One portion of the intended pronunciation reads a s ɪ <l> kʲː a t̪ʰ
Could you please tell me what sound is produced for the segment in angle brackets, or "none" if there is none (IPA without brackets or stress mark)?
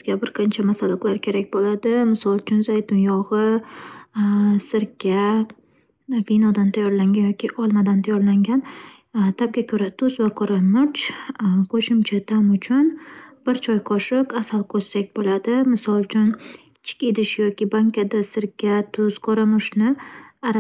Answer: ɾ